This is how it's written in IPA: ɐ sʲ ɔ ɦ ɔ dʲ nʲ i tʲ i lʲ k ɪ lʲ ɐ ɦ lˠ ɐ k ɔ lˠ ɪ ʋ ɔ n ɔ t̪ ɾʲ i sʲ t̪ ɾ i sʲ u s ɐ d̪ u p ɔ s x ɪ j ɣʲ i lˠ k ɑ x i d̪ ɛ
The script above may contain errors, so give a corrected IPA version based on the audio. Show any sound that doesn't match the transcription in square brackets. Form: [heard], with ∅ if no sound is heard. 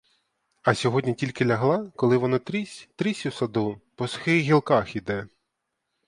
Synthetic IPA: ɐ sʲ ɔ ɦ ɔ dʲ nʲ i tʲ i lʲ k ɪ lʲ ɐ ɦ lˠ [ɑ] k ɔ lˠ ɪ ʋ ɔ n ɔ t̪ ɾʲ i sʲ t̪ ɾ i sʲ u s ɐ d̪ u p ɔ s x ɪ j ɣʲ i lˠ k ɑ x i d̪ ɛ